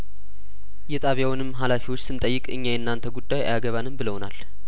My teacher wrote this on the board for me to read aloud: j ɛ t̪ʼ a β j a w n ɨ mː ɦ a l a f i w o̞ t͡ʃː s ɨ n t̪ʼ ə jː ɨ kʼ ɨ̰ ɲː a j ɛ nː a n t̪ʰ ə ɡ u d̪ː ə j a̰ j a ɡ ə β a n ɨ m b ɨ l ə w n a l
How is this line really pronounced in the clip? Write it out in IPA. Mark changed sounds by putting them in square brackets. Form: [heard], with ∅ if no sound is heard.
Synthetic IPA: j ɛ t̪ʼ a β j a w n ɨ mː ɦ a l a f i w o̞ t͡ʃː s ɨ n t̪ʼ ə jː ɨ kʼ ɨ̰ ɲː a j ɛ nː a n t̪ʰ ə ɡ u d̪ː [a] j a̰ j a ɡ ə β a n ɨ m b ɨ l ə w n a l